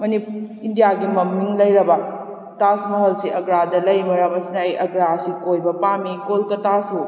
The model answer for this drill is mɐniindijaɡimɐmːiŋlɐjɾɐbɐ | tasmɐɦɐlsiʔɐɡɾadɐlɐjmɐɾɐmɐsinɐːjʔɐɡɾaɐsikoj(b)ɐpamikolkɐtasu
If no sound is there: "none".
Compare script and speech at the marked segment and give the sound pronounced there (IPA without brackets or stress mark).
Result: b